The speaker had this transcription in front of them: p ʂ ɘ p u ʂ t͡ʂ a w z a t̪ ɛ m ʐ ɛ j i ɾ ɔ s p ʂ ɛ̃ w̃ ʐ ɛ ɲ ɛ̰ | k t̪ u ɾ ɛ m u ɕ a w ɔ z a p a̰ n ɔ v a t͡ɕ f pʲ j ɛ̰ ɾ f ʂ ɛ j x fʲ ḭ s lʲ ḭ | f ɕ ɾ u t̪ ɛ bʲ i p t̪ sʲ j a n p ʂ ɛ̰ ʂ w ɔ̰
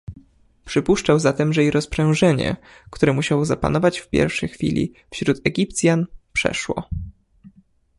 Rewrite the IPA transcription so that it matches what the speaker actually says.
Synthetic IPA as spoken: p ʂ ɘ p u ʂ t͡ʂ a w z a t̪ ɛ m ʐ ɛ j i ɾ ɔ s p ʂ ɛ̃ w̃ ʐ ɛ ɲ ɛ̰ | k t̪ u ɾ ɛ m u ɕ a w ɔ z a p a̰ n ɔ v a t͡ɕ f pʲ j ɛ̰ ɾ f ʂ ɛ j x fʲ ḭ lʲ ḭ | f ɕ ɾ u t̪ ɛ ɡʲ i p t̪ sʲ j a n p ʂ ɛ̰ ʂ w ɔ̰

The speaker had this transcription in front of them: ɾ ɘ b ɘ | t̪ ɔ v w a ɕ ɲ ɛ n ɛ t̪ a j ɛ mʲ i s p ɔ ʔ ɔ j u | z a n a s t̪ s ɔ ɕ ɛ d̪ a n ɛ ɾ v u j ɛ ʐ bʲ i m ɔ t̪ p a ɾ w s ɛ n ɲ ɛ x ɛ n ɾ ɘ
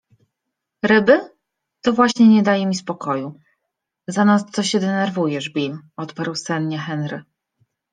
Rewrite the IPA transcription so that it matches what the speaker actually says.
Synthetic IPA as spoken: ɾ ɘ b ɘ | t̪ ɔ v w a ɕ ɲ ɛ ɲ ɛ d̪ a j ɛ mʲ i s p ɔ k ɔ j u | z a n a s t̪ s ɔ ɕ ɛ d̪ ɛ n ɛ ɾ v u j ɛ ʐ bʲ i m ɔ t̪ p a ɾ w s ɛ n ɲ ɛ x ɛ n ɾ ɘ

